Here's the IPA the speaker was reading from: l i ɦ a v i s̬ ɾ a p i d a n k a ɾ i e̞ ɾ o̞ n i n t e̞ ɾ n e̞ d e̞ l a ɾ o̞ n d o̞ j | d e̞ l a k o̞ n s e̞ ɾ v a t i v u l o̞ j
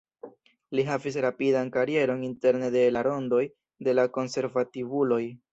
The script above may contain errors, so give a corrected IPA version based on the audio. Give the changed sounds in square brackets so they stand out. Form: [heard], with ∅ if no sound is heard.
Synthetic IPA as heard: l i ɦ a v i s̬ ɾ a p i d a n k a ɾ i e̞ ɾ o̞ n i n t e̞ ɾ n e̞ d e̞ l a ɾ o̞ n d o̞ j | d e̞ l a k o̞ n s e̞ ɾ v a t i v u l o̞ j